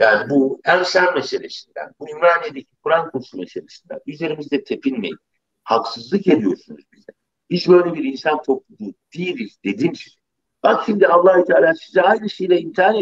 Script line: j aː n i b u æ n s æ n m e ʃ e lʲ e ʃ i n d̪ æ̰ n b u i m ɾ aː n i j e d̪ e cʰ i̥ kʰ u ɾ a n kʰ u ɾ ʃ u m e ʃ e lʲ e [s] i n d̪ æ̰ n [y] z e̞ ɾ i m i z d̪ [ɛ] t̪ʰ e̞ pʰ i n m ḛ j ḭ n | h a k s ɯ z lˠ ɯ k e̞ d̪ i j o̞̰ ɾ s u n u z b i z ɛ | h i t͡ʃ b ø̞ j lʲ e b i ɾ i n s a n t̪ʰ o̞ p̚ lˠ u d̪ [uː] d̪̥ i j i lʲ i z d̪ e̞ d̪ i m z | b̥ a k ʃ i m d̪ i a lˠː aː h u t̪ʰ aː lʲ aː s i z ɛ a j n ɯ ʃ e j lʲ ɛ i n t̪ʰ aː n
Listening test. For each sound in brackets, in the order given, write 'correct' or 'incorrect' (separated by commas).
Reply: incorrect, correct, correct, correct